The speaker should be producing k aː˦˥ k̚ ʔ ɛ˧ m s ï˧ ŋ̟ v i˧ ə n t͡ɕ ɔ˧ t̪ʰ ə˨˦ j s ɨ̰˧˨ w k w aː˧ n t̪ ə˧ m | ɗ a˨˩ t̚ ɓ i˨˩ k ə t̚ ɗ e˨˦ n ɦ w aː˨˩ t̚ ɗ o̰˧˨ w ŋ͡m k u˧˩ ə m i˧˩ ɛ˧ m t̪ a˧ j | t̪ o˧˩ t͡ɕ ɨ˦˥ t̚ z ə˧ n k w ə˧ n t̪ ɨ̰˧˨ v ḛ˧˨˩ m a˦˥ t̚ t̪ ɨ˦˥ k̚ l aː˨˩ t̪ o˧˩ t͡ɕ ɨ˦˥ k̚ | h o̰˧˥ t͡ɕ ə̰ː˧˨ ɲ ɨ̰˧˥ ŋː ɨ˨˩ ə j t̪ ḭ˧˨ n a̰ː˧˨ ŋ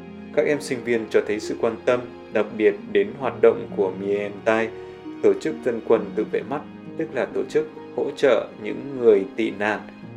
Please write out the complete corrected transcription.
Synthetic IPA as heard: k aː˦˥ k̚ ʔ ɛ˧ m s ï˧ ŋ̟ v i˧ ə n t͡ɕ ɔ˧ t̪ʰ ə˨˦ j s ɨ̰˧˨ k w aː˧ n t̪ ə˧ m | ɗ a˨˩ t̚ ɓ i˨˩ ə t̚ ɗ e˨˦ n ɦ w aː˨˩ t̚ ɗ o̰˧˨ w ŋ͡m k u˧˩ ə m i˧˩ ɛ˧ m t̪ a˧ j | t̪ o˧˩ t͡ɕ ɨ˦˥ k̚ z ə˧ n k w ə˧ n t̪ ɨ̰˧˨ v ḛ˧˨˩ m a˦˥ t̚ t̪ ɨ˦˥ k̚ l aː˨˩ t̪ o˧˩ t͡ɕ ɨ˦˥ k̚ | h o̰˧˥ t͡ɕ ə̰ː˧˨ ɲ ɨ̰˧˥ ŋː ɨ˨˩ ə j t̪ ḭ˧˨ n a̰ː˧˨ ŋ